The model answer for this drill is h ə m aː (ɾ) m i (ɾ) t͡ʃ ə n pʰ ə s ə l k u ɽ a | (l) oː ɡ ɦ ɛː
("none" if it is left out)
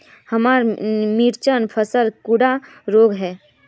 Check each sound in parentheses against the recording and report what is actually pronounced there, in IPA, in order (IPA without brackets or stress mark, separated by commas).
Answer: ɾ, ɾ, ɾ